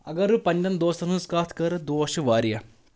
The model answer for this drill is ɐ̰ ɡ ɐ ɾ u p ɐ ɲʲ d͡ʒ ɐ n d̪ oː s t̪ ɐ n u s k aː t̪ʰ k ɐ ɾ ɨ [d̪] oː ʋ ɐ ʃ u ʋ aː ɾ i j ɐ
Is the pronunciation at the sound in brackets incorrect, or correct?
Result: correct